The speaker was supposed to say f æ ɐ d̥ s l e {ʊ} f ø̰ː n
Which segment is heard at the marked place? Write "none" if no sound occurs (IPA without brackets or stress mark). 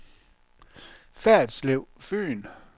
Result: ʊ